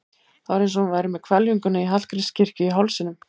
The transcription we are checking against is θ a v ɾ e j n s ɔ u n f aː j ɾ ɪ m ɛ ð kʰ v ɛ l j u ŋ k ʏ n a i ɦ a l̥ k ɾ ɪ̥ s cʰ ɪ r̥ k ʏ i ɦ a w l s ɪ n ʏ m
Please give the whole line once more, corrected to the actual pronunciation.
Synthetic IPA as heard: θ a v ɾ e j n s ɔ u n v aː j ɾ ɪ m ɛ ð kʰ v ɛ l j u ŋ k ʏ n a i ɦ a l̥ k ɾ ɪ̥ s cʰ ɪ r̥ c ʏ i ɦ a w l s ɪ n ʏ m